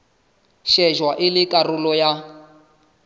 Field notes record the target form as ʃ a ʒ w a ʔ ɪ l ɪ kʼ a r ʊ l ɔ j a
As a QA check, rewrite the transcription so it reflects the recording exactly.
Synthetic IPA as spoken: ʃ ɛ ʒ w a ʔ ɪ l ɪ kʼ a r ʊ l ɔ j a